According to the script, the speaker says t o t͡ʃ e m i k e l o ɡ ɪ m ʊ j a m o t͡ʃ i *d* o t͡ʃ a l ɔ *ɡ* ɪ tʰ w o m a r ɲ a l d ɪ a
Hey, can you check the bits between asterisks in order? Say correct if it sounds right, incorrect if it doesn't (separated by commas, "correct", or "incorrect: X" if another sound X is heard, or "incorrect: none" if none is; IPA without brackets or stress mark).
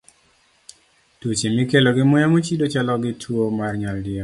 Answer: correct, correct